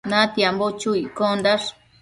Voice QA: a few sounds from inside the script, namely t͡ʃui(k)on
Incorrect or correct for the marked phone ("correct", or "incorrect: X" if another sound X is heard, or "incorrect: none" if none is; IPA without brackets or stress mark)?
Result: correct